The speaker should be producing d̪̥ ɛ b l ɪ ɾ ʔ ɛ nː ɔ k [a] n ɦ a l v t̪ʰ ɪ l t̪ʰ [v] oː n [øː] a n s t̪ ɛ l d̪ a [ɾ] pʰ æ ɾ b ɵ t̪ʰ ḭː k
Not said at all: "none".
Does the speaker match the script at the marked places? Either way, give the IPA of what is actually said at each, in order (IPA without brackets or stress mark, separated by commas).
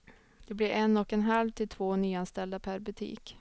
ɛ, v, yː, none